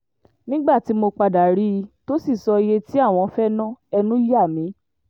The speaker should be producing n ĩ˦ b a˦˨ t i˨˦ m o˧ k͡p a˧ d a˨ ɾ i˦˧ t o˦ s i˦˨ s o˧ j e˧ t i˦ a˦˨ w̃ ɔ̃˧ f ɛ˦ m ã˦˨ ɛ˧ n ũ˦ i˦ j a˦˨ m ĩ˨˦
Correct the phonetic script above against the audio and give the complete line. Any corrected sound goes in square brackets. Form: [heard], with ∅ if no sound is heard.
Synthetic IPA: n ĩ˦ [ɡ͡b] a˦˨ t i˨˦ m o˧ k͡p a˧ d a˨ ɾ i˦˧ t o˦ s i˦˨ s [ɔ˧] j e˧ t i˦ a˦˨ w̃ ɔ̃˧ f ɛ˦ [n] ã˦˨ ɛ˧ n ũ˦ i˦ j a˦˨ m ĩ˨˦